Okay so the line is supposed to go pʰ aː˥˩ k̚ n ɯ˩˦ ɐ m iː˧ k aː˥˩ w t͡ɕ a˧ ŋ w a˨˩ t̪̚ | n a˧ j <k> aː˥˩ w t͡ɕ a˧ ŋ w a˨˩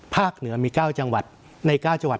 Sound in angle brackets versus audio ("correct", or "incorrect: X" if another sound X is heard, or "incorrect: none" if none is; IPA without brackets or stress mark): correct